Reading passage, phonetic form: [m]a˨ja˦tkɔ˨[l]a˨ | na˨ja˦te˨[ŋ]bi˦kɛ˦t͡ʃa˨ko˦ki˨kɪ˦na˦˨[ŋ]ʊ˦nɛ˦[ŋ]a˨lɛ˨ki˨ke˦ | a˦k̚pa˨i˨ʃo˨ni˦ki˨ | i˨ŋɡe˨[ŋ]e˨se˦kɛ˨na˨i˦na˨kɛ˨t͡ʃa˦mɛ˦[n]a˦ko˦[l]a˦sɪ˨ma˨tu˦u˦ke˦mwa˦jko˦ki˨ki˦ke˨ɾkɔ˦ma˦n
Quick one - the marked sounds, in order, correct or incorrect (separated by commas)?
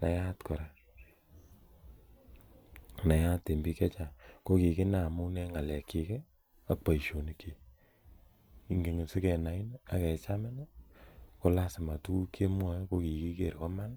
incorrect, incorrect, incorrect, incorrect, correct, correct, correct, correct